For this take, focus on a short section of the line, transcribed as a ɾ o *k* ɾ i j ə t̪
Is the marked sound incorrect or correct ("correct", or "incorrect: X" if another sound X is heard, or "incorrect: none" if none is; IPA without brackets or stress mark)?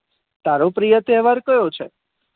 incorrect: p